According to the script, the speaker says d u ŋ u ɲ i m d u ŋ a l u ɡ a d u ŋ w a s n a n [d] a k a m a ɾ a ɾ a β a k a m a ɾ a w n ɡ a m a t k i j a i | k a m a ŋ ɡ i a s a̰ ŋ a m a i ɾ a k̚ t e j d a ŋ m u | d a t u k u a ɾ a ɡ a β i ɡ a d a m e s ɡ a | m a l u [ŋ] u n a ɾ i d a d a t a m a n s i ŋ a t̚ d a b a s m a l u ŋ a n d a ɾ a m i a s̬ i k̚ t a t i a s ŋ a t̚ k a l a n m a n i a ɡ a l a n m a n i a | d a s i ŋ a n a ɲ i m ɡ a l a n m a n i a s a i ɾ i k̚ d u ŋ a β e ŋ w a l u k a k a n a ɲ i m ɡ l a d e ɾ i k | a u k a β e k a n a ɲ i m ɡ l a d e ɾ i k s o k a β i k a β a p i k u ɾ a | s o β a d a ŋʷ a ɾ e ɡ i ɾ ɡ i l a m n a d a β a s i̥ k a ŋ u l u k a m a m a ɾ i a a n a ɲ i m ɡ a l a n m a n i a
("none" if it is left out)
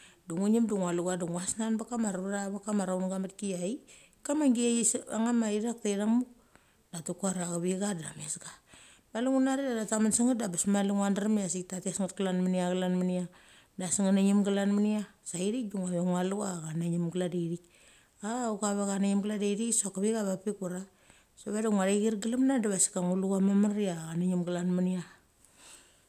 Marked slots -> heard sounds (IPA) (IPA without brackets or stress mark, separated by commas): b, ŋ